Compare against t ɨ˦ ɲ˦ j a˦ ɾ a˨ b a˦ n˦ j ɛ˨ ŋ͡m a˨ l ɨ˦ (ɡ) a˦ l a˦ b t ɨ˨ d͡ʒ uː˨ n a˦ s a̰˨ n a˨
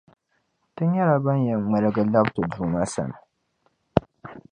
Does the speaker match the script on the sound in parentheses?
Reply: yes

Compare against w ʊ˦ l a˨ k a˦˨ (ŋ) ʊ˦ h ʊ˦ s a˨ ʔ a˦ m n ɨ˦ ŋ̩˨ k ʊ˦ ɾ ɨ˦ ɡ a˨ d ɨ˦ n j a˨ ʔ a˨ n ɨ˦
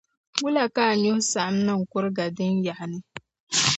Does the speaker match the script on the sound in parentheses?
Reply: no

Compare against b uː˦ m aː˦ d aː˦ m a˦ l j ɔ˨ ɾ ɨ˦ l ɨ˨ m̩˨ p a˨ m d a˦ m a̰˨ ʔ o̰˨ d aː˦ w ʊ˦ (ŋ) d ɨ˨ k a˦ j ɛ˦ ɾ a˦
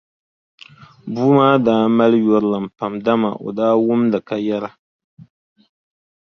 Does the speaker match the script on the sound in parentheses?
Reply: no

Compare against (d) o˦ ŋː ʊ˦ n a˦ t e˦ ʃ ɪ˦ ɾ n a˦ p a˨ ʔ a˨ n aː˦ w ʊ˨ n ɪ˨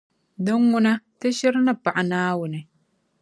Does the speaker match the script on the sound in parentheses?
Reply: yes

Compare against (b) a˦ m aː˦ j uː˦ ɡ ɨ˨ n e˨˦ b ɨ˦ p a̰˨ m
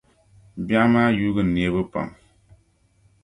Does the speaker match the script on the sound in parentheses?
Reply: yes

